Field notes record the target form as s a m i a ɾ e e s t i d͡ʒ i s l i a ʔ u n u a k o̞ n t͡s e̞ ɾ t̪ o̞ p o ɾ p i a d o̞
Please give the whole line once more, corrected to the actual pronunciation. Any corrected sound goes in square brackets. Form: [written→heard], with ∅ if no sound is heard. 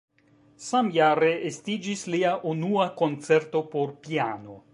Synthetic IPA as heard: s a m [i→j] a ɾ e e s t i d͡ʒ i s l i a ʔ u n u a k o̞ n t͡s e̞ ɾ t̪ o̞ p o ɾ p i a [d→n] o̞